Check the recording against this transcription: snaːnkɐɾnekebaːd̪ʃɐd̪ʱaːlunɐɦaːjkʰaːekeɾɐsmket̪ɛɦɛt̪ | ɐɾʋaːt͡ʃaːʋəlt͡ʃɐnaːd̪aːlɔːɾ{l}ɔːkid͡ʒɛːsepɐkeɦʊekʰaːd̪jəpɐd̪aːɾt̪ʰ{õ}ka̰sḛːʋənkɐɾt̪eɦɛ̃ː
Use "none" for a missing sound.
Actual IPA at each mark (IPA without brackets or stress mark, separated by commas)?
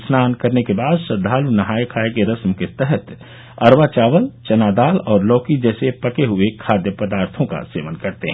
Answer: l, õ